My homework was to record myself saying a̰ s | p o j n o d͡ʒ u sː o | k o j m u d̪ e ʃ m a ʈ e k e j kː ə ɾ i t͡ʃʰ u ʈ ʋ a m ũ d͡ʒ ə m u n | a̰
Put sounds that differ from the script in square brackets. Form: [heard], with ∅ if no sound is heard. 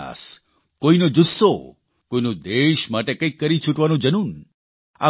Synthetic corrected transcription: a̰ s | [k] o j n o d͡ʒ u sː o | k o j [n] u d̪ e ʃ m a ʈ e k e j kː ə ɾ i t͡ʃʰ u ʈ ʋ a [n] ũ d͡ʒ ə [n] u n | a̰